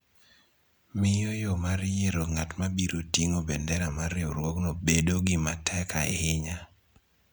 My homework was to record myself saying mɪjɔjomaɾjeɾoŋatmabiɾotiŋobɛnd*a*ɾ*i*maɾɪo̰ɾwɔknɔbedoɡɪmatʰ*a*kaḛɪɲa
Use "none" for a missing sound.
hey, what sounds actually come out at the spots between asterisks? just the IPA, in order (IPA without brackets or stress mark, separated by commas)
ɛ, a, ɛ